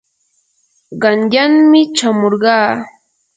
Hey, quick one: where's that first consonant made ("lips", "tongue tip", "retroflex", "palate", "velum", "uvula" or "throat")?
uvula